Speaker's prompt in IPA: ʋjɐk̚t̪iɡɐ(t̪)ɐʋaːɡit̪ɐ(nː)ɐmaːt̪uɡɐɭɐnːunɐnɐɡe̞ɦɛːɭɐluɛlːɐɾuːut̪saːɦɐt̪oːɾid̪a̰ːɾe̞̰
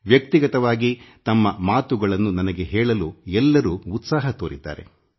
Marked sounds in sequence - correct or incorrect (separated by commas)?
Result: correct, incorrect